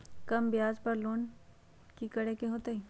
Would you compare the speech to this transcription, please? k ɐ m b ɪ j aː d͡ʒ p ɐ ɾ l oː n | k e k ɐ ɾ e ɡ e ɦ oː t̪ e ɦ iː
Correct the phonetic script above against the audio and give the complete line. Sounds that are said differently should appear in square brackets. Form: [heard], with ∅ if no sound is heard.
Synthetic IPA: k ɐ m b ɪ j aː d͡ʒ p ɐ ɾ l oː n | k [i] k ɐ [ɽ] e [k] e ɦ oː t̪ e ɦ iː